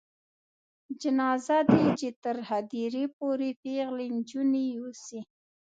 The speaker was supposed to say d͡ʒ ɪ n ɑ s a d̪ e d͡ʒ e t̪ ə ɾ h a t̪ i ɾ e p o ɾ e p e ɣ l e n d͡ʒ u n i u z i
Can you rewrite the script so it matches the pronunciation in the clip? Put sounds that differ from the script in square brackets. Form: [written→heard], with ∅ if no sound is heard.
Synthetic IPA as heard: d͡ʒ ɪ n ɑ [s→z] a d̪ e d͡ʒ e t̪ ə ɾ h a [t̪→d̪] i ɾ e p o ɾ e p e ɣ l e n d͡ʒ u n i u [z→s] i